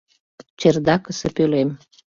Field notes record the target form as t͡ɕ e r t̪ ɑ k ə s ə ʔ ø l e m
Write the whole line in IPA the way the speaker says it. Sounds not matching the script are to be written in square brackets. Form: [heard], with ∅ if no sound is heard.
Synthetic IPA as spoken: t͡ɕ e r [d̪] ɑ k ə s ə [p] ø l e m